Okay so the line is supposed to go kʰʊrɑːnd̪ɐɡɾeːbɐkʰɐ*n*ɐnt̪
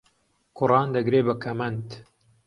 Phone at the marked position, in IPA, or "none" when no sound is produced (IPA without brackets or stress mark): m